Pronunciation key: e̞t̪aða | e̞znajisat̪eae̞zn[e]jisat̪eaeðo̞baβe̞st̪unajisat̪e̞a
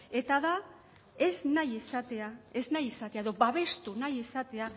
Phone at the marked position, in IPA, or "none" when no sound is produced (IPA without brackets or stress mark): a